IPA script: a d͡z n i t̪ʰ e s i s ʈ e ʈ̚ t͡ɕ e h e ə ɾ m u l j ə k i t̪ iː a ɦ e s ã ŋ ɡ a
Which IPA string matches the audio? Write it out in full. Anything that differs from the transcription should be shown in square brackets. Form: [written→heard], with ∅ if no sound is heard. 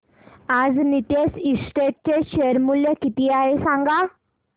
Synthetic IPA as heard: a d͡z n i [t̪ʰ→t̪] e s i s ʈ e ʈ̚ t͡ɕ e [h→ɕ] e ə ɾ m u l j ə k i t̪ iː a ɦ e s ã ŋ ɡ a

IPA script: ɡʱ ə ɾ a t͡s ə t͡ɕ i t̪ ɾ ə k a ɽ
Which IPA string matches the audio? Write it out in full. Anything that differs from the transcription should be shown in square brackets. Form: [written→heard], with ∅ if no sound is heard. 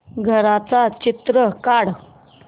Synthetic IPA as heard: ɡʱ ə ɾ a t͡s [ə→a] t͡ɕ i t̪ ɾ ə k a ɽ

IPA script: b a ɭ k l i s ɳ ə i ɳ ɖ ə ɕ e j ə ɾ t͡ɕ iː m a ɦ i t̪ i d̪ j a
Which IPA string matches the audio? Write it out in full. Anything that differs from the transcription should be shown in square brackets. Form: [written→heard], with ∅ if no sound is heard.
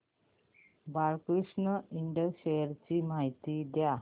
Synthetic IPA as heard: b a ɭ k [l→ɾ] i [s→ʂ] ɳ ə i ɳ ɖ ə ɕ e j ə ɾ t͡ɕ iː m a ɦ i t̪ i d̪ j a

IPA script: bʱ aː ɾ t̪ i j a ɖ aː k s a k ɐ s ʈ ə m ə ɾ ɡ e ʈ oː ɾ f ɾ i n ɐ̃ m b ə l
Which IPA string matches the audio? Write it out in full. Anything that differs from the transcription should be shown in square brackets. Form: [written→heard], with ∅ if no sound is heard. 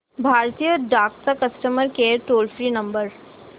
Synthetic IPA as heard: bʱ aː ɾ t̪ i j [a→ə] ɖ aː k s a k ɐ s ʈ ə m ə ɾ [ɡ→k] e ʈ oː [ɾ→l] f ɾ i n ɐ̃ m b ə [l→ɾ]

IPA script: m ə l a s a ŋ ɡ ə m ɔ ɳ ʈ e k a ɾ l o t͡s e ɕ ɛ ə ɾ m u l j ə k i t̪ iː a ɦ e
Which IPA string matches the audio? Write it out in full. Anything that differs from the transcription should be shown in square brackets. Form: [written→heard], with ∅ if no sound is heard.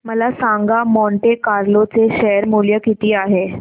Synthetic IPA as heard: m ə l a s a ŋ ɡ [ə→a] m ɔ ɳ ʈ e k a ɾ l o t͡s e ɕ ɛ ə ɾ m u l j ə k i t̪ iː a ɦ e

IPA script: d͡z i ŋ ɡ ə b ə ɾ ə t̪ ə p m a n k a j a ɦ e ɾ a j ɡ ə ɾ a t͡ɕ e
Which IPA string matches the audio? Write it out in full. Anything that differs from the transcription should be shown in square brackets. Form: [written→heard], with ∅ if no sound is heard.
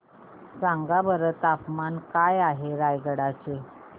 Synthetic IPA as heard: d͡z [i→a] ŋ ɡ [ə→a] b ə ɾ ə t̪ [ə→a] p m a n k a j a ɦ e ɾ a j ɡ ə [ɾ→ɽ] a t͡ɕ e

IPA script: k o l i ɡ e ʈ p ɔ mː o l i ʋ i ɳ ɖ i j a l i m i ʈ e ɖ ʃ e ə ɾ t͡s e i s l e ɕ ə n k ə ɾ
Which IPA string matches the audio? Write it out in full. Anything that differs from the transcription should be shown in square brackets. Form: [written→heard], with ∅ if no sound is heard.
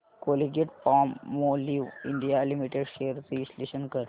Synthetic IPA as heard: k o l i ɡ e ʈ p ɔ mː o l i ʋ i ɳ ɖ i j a l i m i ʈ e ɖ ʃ e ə ɾ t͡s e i s l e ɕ ə n k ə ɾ

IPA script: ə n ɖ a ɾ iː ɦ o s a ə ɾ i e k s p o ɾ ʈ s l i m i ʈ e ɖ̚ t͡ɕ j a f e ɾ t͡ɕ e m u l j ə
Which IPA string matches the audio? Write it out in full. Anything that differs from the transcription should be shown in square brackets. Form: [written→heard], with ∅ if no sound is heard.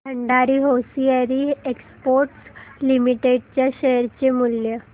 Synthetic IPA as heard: ə [n→ɳ] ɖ a ɾ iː ɦ o s [a→i] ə ɾ i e k s p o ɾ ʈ s l i m i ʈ e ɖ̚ t͡ɕ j a [f→ɕ] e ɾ t͡ɕ e m u l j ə

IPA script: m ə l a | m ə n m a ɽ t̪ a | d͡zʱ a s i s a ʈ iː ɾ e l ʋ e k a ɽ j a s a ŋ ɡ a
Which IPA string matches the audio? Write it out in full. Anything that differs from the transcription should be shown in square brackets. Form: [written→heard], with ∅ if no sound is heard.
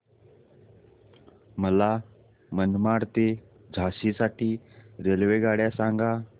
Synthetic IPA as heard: m ə l a | m ə n m a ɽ t̪ [a→e] | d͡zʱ a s i s a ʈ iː ɾ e l ʋ e [k→ɡ] a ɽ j a s a ŋ ɡ a

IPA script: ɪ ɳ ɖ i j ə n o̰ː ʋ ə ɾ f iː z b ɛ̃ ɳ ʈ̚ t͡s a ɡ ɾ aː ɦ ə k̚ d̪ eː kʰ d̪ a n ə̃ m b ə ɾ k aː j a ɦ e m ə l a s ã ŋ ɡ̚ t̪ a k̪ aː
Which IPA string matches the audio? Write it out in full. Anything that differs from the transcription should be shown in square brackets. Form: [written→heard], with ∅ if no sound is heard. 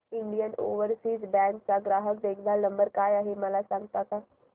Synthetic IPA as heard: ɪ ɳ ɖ i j ə n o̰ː ʋ ə ɾ [f→s] iː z b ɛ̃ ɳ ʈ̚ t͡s a ɡ ɾ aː ɦ ə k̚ d̪ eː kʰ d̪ a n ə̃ m b ə ɾ k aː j a ɦ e m ə l a s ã ŋ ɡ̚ t̪ a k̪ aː

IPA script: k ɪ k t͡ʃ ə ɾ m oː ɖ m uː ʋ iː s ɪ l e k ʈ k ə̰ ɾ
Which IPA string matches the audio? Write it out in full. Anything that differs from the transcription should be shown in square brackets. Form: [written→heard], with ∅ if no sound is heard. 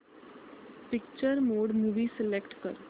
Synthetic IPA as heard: [k→p] ɪ k t͡ʃ ə ɾ m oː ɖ m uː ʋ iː s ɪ l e k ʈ k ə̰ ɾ

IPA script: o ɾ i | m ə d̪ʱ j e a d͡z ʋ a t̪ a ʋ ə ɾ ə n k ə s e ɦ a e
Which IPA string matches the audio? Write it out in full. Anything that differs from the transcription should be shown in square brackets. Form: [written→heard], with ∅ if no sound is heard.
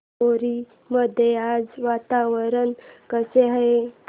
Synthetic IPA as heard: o ɾ i | m ə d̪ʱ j e a d͡z ʋ a t̪ a ʋ ə ɾ ə n k ə s e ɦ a e

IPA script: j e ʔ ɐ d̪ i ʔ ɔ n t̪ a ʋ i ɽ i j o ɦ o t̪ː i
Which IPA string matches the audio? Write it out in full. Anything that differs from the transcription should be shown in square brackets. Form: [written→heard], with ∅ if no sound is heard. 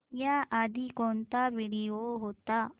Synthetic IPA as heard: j [e→a] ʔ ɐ d̪ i [ʔ→k] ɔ n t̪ a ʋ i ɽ i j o ɦ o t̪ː [i→a]

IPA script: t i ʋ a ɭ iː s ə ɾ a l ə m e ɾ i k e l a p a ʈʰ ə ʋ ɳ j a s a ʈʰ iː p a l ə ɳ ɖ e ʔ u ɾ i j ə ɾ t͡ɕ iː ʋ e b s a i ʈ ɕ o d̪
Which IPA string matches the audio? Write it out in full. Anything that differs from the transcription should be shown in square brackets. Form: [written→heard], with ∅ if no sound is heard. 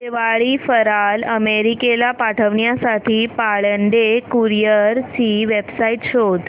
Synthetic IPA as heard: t [i→e] ʋ a ɭ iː [s→f] ə ɾ a l ə m e ɾ i k e l a p a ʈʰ ə ʋ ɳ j a s a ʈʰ iː p a [l→ɭ] ə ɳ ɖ e [ʔ→k] u ɾ i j ə ɾ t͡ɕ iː ʋ e b s a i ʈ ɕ o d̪

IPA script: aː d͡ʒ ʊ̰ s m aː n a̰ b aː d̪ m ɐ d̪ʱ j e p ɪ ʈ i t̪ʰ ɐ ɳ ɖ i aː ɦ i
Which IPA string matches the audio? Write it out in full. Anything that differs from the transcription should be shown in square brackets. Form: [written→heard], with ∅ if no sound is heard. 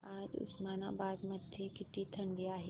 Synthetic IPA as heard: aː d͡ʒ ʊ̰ s m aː n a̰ b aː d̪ m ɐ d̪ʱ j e [p→k] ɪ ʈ i t̪ʰ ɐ ɳ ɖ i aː ɦ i

